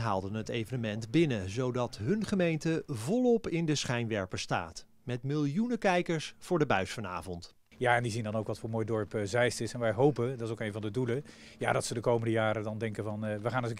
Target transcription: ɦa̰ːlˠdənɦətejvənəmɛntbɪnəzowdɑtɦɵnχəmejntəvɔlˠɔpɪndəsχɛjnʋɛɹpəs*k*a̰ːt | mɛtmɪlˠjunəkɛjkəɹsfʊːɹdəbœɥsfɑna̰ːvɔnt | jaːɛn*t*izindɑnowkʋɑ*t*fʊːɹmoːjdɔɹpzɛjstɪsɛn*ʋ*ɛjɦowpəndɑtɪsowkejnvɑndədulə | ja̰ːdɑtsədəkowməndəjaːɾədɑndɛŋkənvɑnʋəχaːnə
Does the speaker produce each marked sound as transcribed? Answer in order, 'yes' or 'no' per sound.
no, no, yes, yes

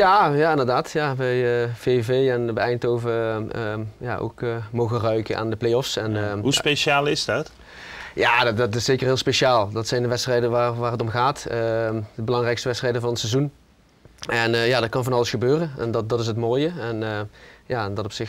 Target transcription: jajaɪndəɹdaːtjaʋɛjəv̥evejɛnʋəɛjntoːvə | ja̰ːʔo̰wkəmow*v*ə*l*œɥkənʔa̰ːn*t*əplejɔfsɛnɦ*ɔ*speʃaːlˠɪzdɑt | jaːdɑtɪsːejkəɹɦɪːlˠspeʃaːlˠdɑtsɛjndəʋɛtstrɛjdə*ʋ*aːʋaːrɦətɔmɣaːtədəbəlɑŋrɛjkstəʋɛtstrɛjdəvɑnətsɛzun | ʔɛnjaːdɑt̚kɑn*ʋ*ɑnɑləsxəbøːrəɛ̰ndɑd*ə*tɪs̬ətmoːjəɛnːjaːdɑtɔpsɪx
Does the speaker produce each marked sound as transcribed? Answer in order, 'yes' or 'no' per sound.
no, no, no, no, yes, no, no

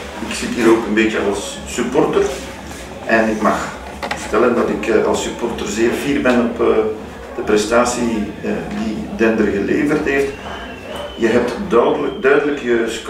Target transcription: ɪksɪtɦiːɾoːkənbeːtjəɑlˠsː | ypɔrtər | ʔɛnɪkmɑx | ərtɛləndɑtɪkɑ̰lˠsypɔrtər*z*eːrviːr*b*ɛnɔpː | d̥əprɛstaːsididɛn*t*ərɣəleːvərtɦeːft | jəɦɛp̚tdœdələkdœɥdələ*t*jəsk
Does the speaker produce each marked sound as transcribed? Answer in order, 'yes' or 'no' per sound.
yes, yes, no, no

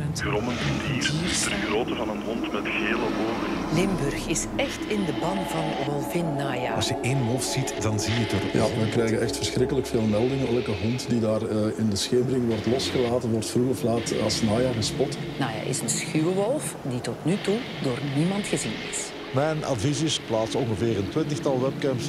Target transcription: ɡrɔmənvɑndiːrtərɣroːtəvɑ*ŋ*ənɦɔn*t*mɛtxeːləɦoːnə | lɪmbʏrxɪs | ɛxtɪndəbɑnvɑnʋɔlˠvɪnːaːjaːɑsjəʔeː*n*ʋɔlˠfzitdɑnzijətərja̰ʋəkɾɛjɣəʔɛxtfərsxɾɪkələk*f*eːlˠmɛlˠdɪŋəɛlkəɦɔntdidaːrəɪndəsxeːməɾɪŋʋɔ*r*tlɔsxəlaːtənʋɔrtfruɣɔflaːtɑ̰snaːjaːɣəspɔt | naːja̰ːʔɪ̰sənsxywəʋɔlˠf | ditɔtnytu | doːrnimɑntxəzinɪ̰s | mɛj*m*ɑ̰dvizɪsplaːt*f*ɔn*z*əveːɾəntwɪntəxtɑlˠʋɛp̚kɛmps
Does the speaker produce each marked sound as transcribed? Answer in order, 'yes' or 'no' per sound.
no, yes, yes, yes, yes, no, no, no

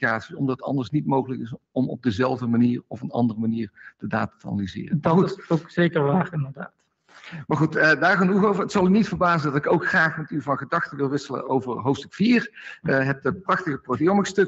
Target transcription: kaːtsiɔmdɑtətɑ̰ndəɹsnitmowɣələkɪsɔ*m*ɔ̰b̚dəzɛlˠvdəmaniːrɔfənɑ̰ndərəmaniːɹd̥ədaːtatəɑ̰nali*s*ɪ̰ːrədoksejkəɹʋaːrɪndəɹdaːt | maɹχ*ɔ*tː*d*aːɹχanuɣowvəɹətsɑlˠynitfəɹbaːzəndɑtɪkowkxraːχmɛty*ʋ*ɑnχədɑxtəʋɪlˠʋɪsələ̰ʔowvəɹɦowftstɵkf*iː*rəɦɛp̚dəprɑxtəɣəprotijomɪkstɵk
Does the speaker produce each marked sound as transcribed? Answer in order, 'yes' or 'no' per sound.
yes, no, no, yes, no, yes

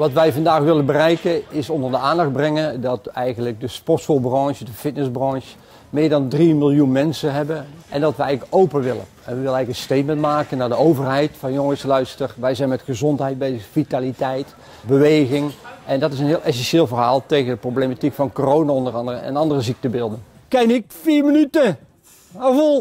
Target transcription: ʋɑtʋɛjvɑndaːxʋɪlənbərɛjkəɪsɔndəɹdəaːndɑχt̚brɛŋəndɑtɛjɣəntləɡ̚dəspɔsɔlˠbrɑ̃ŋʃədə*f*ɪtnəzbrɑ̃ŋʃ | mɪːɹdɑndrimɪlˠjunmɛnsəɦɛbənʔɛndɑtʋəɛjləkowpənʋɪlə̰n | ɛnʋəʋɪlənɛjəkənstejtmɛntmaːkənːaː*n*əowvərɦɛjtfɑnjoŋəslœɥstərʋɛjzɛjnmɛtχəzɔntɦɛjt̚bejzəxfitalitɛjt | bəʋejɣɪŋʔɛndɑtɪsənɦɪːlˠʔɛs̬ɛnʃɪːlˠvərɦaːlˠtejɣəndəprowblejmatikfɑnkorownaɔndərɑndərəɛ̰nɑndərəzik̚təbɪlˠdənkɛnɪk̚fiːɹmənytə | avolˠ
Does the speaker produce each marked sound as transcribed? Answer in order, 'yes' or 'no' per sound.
yes, no

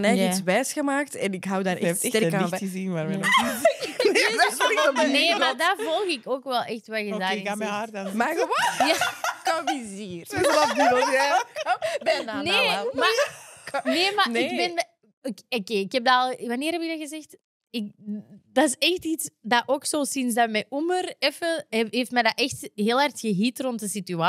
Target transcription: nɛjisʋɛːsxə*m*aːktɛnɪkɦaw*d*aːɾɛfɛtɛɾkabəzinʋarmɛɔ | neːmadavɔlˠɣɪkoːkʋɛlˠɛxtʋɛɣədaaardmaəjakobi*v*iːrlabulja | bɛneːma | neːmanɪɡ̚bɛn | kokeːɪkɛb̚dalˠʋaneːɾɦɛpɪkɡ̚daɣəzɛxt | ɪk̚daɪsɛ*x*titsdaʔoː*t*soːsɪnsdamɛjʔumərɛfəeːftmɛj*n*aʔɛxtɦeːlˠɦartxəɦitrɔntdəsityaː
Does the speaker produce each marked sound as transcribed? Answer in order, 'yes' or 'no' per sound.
yes, yes, no, yes, no, no

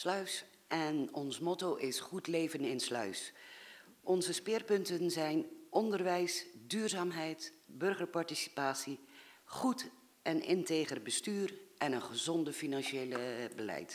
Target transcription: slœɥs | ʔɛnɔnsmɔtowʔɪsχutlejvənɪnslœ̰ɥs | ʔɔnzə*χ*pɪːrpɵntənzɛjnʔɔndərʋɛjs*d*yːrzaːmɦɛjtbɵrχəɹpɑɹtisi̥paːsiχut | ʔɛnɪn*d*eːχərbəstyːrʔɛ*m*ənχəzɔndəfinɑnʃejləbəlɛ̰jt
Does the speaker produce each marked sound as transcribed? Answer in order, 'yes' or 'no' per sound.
no, yes, no, no

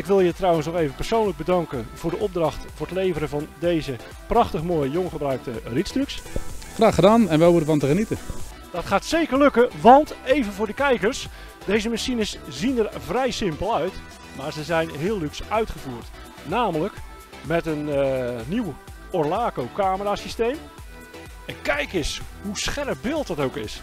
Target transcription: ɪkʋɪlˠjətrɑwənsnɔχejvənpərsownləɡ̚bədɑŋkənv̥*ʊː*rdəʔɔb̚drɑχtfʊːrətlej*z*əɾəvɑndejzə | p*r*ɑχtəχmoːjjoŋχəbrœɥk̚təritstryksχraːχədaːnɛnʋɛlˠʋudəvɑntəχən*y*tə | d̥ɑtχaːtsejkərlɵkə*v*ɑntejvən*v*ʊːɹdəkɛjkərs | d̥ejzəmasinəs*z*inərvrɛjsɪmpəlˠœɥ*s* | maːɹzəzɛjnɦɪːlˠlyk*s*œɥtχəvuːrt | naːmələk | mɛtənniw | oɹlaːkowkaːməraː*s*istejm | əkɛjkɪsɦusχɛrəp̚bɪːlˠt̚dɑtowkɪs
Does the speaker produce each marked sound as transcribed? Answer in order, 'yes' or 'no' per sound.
yes, no, yes, no, no, yes, yes, no, yes, yes

